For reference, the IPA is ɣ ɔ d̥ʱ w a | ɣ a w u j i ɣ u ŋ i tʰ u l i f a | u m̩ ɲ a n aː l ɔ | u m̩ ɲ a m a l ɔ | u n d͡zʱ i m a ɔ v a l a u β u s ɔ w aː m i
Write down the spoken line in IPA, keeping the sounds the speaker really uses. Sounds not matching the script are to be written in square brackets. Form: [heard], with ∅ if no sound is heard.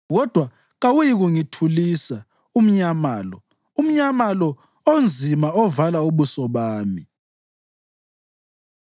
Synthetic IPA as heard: ɣ ɔ d̥ʱ w a | ɣ a w u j i ɣ u ŋ i tʰ u l i [s] a | u m̩ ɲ a [m] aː l ɔ | u m̩ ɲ a m a l ɔ | [o] n d͡zʱ i m a ɔ v a l a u β u s ɔ [β] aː m i